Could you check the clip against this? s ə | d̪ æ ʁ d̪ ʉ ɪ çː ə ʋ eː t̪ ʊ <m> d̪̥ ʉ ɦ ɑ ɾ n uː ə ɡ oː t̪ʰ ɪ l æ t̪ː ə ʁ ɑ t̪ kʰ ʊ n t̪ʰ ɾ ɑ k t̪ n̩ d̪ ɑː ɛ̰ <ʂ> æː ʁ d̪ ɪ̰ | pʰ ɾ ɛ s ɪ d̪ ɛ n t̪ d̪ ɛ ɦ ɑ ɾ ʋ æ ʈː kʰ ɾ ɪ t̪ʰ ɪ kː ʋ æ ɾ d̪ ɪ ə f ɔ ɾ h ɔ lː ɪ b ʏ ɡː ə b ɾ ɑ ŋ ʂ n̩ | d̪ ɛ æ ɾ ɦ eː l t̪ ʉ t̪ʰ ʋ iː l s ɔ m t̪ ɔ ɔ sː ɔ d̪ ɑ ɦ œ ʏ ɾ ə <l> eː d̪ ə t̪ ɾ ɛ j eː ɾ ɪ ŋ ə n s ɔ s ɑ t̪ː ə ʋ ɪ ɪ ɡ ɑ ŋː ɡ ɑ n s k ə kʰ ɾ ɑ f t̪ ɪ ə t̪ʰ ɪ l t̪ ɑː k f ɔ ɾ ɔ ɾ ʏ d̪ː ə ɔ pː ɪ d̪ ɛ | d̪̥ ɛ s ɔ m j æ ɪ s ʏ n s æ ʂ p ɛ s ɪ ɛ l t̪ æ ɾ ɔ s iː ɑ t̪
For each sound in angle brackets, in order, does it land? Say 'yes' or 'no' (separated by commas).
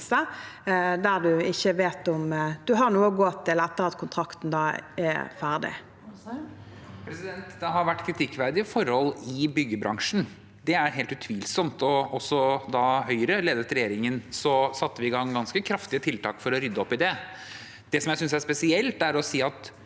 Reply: yes, no, yes